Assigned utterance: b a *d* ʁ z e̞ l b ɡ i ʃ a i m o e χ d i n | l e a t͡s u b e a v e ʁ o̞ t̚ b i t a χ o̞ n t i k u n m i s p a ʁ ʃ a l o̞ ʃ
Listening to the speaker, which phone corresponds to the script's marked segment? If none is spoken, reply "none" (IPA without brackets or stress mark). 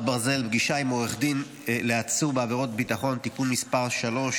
none